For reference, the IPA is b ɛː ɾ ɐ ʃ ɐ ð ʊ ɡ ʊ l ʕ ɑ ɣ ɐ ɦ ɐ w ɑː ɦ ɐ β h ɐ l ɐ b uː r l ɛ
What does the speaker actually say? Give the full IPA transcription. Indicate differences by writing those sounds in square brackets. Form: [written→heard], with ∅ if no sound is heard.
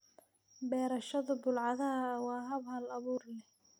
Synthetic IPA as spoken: b ɛː ɾ ɐ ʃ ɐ ð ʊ [ɡ→b] ʊ l ʕ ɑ [ɣ→ð] ɐ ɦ ɐ w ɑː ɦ ɐ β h ɐ l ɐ [b→β] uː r l ɛ